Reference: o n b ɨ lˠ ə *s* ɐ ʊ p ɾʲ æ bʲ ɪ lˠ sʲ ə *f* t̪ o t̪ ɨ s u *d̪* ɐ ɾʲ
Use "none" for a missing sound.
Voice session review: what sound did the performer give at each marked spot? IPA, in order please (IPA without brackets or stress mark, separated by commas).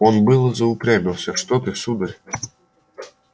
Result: z, ʂ, d̪